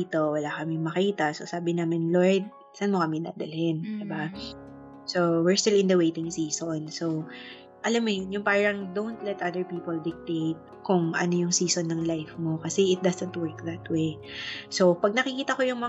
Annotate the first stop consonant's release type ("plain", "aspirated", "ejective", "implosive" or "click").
plain